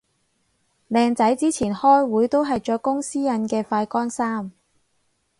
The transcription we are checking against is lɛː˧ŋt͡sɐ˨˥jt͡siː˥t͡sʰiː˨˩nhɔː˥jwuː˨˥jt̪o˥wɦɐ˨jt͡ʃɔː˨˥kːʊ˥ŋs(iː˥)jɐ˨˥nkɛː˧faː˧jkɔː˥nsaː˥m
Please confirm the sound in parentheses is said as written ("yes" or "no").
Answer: yes